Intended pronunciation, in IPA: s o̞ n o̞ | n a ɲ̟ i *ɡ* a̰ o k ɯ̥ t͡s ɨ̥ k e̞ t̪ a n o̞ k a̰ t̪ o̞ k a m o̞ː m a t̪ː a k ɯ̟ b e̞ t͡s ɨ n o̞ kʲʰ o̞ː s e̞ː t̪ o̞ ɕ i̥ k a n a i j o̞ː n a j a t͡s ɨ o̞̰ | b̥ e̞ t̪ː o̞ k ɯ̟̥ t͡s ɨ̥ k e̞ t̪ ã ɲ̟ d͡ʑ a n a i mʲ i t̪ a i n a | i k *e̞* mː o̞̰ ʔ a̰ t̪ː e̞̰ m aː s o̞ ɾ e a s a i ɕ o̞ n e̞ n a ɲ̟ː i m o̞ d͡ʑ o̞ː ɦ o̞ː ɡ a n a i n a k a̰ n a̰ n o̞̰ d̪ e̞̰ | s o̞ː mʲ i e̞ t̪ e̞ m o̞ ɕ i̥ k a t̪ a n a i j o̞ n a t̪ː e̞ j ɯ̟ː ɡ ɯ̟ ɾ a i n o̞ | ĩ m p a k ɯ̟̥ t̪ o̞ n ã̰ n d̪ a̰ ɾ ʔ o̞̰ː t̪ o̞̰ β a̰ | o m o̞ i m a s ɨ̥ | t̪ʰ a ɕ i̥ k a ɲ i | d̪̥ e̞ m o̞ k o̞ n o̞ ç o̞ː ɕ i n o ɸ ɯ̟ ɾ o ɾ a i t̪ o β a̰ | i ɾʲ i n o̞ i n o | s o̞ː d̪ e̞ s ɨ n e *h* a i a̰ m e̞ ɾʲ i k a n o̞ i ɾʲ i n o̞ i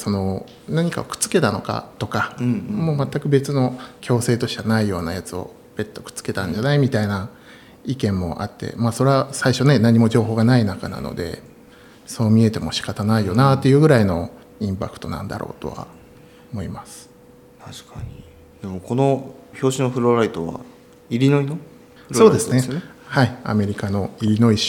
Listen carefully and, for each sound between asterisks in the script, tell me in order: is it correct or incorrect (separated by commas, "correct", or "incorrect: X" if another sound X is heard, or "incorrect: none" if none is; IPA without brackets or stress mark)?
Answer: incorrect: k, incorrect: ẽ̞, correct